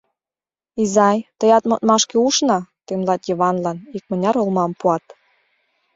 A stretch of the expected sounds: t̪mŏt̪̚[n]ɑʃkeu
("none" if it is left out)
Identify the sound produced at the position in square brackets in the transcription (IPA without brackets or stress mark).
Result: m